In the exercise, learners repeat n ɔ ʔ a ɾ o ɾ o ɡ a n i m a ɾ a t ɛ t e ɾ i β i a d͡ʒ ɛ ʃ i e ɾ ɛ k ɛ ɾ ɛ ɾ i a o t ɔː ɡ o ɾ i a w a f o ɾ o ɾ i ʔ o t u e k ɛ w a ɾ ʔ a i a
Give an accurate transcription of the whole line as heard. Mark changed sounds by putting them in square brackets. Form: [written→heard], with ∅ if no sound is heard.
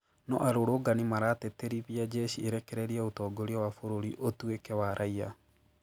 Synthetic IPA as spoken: n ɔ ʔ a ɾ o ɾ o ɡ a n i m a ɾ a t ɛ t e ɾ i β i a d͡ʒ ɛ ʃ i e ɾ ɛ k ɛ ɾ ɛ ɾ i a o t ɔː ɡ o ɾ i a w a f o ɾ o ɾ i ʔ o t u e k ɛ w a ɾ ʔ a i a